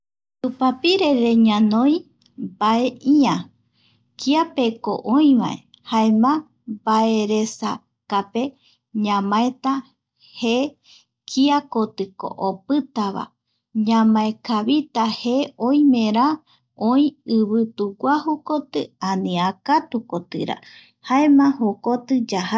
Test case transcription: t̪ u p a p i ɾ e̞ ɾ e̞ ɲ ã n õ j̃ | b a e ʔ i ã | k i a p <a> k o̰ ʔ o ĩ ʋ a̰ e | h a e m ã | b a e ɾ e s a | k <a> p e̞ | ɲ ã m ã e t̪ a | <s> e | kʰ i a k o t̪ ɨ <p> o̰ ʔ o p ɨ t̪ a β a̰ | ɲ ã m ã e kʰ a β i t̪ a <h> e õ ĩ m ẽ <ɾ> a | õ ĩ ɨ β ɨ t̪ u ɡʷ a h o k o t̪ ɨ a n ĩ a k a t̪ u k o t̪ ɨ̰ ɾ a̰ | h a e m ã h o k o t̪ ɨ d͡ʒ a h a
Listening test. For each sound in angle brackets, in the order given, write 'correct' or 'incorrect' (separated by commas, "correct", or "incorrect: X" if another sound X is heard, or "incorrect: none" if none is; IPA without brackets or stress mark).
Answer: incorrect: e, correct, incorrect: h, incorrect: k, correct, correct